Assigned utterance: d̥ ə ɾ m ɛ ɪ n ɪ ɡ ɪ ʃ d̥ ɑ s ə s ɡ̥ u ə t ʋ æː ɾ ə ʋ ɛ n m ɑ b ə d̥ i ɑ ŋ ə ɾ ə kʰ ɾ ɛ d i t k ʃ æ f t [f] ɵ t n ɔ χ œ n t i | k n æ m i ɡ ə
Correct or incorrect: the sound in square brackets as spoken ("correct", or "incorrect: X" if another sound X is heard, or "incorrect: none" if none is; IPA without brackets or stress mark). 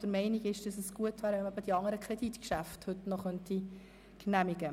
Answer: incorrect: h